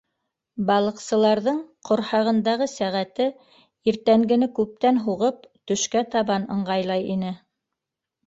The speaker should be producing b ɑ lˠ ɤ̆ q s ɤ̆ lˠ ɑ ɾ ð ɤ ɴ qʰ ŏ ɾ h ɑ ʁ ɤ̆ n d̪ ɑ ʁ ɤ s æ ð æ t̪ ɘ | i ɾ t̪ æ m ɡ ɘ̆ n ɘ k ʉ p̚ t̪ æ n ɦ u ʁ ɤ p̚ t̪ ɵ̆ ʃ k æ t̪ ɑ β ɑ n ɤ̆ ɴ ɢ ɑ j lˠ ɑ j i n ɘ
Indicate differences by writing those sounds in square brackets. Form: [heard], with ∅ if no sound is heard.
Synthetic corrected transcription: b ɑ lˠ ɤ̆ q s ɤ̆ lˠ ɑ ɾ ð ɤ ɴ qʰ ŏ ɾ h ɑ ʁ ɤ̆ n d̪ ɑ ʁ ɤ s æ [ʁ] æ t̪ ɘ | i ɾ t̪ æ [ŋ] ɡ ɘ̆ n ɘ k ʉ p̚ t̪ æ n ɦ u ʁ ɤ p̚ t̪ ɵ̆ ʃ k æ t̪ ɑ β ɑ n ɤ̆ ɴ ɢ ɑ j lˠ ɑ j i n ɘ